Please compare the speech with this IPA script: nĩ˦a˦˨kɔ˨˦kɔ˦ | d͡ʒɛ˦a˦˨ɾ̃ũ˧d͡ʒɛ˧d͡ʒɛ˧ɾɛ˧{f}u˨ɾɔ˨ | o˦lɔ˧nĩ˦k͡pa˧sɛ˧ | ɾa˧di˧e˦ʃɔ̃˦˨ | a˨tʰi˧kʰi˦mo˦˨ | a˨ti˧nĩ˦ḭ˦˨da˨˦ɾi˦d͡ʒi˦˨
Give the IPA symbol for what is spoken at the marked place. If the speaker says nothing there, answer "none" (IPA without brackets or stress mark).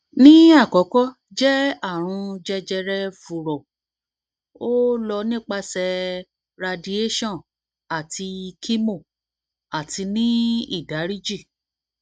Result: f